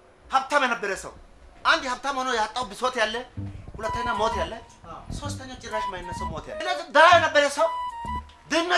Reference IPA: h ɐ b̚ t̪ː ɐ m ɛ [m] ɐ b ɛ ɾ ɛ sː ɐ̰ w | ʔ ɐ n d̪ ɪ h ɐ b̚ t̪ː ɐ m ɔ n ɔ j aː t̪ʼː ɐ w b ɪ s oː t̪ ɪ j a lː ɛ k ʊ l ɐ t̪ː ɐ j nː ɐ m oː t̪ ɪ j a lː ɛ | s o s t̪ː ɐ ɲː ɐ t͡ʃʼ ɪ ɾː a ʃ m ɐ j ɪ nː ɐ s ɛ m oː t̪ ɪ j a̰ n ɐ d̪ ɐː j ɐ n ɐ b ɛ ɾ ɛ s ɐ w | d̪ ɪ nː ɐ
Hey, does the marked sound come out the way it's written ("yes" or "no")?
no